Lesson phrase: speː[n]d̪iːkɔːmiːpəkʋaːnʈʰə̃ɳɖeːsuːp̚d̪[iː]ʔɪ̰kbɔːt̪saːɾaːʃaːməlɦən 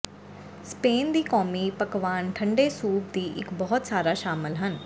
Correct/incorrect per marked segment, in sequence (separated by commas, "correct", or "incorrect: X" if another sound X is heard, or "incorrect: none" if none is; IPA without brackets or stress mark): correct, correct